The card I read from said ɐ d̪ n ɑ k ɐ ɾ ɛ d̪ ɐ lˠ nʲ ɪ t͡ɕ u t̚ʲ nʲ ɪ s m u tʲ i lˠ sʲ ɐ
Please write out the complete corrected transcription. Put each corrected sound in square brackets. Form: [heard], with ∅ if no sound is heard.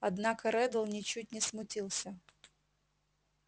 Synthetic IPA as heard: ɐ d̪ n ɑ k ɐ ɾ ɛ d̪ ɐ lˠ nʲ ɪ t͡ɕ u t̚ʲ nʲ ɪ s m [ʊ] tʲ i lˠ sʲ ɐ